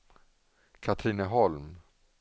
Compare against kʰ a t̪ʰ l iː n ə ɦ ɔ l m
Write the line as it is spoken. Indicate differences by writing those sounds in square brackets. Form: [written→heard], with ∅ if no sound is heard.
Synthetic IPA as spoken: kʰ a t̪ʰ [l→ɾ] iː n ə ɦ ɔ l m